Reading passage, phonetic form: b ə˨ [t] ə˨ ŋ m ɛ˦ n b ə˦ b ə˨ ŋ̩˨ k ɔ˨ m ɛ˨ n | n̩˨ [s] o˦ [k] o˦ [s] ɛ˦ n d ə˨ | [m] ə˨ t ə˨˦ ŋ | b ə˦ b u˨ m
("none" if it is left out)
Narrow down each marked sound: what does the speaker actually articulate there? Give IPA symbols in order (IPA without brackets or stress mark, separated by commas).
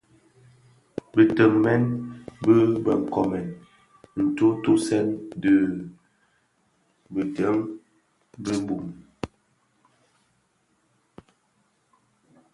t, t, t, s, b